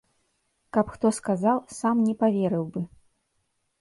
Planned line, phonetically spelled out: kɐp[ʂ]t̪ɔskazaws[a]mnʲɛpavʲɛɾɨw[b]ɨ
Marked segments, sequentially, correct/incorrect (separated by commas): incorrect, correct, correct